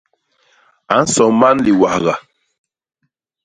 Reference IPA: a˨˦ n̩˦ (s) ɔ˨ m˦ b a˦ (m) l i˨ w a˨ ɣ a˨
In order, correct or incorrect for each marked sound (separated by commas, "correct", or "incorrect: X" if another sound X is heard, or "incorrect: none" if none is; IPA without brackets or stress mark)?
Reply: correct, incorrect: n